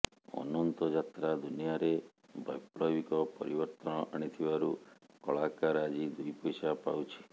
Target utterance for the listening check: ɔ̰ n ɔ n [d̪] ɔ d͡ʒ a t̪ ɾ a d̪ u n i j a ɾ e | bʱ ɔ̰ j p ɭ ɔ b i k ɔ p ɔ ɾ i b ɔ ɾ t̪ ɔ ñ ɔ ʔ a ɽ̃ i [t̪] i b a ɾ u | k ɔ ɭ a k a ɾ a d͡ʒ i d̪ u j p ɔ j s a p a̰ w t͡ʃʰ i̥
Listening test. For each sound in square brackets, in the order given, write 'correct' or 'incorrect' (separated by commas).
incorrect, incorrect